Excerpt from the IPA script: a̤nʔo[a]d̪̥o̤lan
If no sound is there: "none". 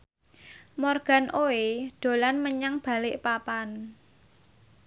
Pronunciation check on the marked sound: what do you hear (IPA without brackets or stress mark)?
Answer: e